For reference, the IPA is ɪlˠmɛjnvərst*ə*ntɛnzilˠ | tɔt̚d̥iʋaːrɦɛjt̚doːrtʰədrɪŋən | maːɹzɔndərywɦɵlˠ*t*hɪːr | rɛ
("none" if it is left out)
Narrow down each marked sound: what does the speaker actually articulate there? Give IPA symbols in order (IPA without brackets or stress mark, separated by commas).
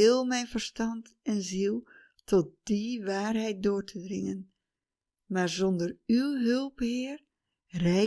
ɑ, p